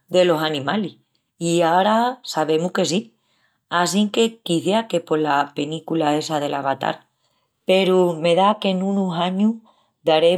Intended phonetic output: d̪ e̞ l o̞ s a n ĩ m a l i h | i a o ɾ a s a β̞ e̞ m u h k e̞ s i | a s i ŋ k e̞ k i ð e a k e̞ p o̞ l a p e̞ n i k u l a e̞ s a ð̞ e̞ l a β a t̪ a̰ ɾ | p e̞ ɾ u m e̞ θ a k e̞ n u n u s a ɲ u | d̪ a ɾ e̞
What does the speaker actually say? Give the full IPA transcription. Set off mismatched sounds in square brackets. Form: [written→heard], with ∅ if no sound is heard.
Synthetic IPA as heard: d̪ e̞ l o̞ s a n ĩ m a l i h | i a o ɾ a s a β̞ e̞ m u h k e̞ s i | a s i ŋ k e̞ k i [ð→θ] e a k e̞ p o̞ l a p e̞ n i k u l a e̞ s a ð̞ e̞ l a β a t̪ a̰ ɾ | p e̞ ɾ u m e̞ [θ→ð] a k e̞ n u n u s a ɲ u | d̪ a ɾ e̞

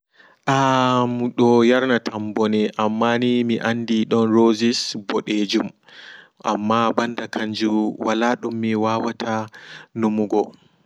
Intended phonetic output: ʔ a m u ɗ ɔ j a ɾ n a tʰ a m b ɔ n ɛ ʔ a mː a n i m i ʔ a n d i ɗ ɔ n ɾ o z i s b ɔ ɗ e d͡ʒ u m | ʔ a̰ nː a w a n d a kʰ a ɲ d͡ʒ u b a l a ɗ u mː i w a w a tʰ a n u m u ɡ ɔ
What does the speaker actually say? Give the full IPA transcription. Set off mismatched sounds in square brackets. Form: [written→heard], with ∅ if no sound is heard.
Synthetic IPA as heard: ʔ a m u ɗ ɔ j a ɾ n a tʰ a m b ɔ n ɛ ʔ a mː a n i m i ʔ a n d i ɗ ɔ n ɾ o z i s b ɔ ɗ e d͡ʒ u m | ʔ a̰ [nː→mː] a [w→b] a n d a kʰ a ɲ d͡ʒ u [b→w] a l a ɗ u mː i w a w a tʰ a n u m u ɡ ɔ

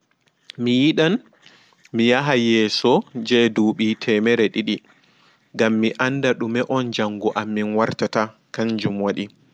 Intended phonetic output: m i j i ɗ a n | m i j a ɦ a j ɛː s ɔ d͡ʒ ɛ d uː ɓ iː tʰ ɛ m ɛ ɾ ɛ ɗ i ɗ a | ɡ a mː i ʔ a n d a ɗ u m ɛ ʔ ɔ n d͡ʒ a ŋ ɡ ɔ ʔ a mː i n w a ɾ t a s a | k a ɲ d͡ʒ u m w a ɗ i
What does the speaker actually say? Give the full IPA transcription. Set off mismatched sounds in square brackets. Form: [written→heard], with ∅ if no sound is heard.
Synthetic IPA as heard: m i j i ɗ a n | m i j a ɦ a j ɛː s ɔ d͡ʒ ɛ d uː ɓ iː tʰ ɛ m ɛ ɾ ɛ ɗ i ɗ [a→i] | ɡ a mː i ʔ a n d a ɗ u m ɛ ʔ ɔ n d͡ʒ a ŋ ɡ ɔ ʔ a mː i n w a ɾ t a [s→t] a | k a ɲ d͡ʒ u m w a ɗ i

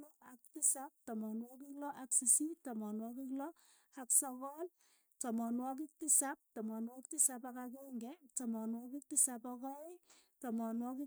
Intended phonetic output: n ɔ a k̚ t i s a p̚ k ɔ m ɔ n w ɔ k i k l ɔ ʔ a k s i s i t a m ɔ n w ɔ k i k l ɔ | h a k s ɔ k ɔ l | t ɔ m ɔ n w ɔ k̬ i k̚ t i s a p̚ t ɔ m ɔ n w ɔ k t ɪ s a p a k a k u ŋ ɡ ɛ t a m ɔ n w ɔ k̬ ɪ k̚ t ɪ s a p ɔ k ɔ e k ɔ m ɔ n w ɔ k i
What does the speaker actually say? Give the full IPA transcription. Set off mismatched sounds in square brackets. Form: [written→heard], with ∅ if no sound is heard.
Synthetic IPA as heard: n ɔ a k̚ t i s a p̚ [k→t] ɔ m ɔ n w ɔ k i k l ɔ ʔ a k s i s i t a m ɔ n w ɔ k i k l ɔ | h a k s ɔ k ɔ l | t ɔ m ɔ n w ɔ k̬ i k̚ t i s a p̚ t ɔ m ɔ n w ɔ k t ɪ s a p a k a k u ŋ ɡ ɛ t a m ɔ n w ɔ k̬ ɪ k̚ t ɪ s a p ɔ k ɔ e [k→t] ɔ m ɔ n w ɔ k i

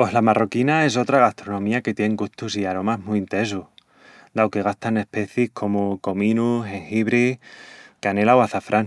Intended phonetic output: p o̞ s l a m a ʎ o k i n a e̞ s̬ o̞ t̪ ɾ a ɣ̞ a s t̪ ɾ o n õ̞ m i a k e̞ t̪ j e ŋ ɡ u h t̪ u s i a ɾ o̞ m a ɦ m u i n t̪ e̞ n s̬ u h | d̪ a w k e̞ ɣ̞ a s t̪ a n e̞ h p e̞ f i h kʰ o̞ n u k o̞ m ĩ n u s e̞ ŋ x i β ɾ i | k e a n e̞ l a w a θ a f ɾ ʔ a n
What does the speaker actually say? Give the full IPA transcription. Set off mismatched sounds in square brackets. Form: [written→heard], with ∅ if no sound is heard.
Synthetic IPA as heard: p o̞ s l a m a [ʎ→r] o k i n a e̞ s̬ o̞ t̪ ɾ a ɣ̞ a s t̪ ɾ o n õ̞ m i a k e̞ t̪ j e ŋ ɡ u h t̪ u s i a ɾ o̞ m a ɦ m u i n t̪ e̞ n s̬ u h | d̪ a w k e̞ ɣ̞ a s t̪ a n e̞ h p e̞ [f→θ] i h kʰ o̞ [n→m] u k o̞ m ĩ n u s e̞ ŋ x i β ɾ i | k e a n e̞ l a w a θ a f ɾ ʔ a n

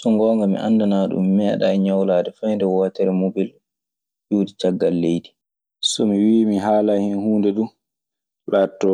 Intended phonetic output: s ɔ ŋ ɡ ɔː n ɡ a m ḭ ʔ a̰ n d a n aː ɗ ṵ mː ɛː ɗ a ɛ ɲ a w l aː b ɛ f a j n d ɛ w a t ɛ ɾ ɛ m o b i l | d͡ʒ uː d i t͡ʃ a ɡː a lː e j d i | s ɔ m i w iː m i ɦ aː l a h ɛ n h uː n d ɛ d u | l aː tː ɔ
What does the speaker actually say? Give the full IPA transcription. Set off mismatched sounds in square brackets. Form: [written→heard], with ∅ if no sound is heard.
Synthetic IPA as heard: s ɔ ŋ ɡ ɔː [n→ŋ] ɡ a m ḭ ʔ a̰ n d a n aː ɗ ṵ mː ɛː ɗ a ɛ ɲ a w l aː [b→d] ɛ f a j n d ɛ w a t ɛ ɾ ɛ m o b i l | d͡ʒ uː d i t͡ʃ a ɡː a lː e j d i | s ɔ m i w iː m i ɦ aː l a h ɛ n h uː n d ɛ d u | l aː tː ɔ

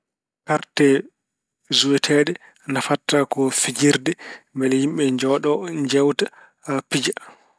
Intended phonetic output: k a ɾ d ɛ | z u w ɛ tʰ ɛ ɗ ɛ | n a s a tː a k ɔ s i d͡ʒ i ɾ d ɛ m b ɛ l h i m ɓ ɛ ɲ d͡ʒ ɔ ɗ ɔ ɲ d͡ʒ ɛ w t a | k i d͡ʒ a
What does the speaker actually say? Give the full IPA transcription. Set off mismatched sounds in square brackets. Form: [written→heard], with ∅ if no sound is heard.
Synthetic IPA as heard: k a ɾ [d→t] ɛ | z u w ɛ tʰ ɛ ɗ ɛ | n a [s→f] a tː a k ɔ [s→f] i d͡ʒ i ɾ d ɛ m b ɛ l h i m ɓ ɛ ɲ d͡ʒ ɔ ɗ ɔ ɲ d͡ʒ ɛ w t a | [k→p] i d͡ʒ a

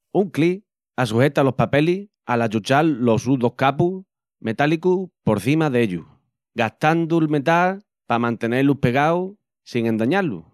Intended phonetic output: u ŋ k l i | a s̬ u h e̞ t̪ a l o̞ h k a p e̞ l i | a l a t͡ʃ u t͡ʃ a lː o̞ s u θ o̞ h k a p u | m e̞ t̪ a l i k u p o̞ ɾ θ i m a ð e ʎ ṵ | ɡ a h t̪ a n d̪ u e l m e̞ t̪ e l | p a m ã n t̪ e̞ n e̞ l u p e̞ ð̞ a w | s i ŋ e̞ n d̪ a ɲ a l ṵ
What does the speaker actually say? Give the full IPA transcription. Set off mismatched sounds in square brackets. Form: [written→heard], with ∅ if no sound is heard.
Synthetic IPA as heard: u ŋ k l i | a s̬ u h e̞ t̪ a l o̞ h [k→p] a p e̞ l i | a l a t͡ʃ u t͡ʃ a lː o̞ s u [θ→ð] o̞ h k a p u | m e̞ t̪ a l i k u p o̞ ɾ θ i m a ð e ʎ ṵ | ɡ a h t̪ a n d̪ u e l m e̞ t̪ [e→a] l | p a m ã n t̪ e̞ n e̞ l u p e̞ [ð̞→ɣ̞] a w | s i ŋ e̞ n d̪ a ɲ a l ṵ

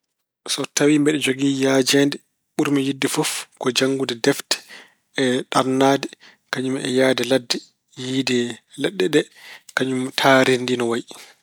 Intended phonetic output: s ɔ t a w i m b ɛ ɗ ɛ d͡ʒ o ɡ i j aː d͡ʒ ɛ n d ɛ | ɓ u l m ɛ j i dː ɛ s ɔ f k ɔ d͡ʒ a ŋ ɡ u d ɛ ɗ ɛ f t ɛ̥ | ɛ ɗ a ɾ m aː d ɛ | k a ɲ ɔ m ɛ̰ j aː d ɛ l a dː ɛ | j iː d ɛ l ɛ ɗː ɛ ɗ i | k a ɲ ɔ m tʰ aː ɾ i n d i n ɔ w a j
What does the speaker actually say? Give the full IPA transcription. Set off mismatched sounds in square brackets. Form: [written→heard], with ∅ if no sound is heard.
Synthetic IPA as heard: s ɔ t a w i m b ɛ ɗ ɛ d͡ʒ o ɡ i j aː d͡ʒ ɛ n d ɛ | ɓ u [l→ɾ] m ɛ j i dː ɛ [s→f] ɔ f k ɔ d͡ʒ a ŋ ɡ u d ɛ [ɗ→d] ɛ f t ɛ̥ | ɛ ɗ a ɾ [m→n] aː d ɛ | k a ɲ [ɔ→u] m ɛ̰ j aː d ɛ l a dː ɛ | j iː d ɛ l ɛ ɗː ɛ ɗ [i→ɛ] | k a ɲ [ɔ→u] m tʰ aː ɾ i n d i n ɔ w a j

